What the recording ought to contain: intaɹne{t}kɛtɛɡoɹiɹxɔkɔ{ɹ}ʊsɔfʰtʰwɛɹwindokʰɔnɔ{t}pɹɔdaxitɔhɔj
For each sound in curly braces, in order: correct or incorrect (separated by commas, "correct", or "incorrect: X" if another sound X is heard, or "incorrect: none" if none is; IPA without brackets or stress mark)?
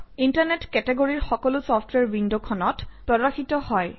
correct, incorrect: l, correct